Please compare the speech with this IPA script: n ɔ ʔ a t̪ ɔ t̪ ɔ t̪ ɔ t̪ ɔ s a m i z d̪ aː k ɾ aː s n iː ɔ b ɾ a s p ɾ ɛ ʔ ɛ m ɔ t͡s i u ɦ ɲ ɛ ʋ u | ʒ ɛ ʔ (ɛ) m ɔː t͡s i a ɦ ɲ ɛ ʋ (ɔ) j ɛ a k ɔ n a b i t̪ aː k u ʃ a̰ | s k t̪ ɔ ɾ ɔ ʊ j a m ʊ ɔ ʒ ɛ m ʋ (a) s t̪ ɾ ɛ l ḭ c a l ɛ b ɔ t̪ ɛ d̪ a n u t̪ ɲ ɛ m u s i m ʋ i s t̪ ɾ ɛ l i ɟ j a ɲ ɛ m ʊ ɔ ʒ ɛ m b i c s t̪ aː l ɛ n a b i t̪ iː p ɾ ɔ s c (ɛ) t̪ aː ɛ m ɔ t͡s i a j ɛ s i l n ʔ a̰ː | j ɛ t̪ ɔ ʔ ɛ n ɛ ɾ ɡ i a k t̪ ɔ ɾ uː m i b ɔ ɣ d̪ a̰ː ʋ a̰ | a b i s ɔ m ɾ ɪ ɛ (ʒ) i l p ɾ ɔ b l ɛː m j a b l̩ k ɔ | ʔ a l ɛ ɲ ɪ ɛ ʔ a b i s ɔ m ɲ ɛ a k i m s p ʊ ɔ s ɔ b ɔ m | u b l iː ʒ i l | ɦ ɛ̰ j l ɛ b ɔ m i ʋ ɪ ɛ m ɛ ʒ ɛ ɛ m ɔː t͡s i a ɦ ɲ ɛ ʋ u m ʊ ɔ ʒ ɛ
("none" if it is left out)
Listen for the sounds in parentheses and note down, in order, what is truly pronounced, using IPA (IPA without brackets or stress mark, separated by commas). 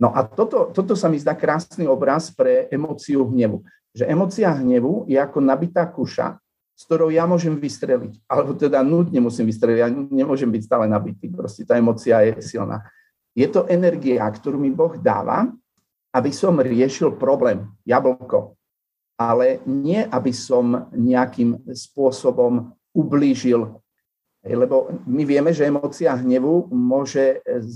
ɛ, u, i, ɛ, ʃ